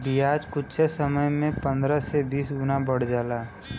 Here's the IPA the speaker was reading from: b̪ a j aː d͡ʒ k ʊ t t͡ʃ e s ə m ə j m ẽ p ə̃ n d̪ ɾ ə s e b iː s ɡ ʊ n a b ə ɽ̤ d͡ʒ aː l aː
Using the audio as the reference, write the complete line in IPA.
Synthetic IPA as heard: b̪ i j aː d͡ʒ k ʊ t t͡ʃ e s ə m ə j m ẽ p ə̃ n d̪ ɾ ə s e b iː s ɡ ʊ n a b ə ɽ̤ d͡ʒ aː l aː